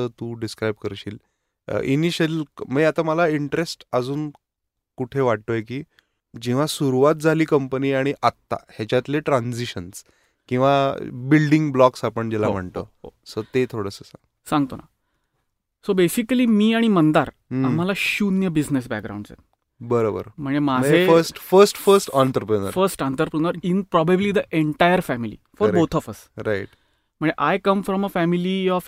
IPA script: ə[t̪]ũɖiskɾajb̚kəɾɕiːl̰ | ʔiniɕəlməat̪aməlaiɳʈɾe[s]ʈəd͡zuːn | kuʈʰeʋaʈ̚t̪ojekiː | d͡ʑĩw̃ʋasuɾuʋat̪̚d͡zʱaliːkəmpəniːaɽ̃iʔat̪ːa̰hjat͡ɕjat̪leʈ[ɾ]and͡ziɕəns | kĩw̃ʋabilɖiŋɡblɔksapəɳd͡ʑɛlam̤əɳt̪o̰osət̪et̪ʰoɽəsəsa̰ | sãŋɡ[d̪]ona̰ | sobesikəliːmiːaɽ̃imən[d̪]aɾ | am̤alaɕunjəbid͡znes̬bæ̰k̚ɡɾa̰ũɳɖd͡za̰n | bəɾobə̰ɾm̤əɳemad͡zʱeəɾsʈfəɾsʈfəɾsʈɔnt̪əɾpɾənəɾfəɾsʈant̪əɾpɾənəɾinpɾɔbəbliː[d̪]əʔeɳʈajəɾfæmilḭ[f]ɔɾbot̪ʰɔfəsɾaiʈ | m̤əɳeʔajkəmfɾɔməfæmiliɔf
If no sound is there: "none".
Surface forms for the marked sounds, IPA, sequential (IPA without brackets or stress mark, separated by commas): t̪, s, ɾ, t̪, d̪, d̪, f